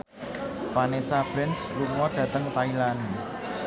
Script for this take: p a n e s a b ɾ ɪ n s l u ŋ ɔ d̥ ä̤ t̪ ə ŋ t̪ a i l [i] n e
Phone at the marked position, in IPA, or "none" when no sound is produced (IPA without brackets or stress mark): a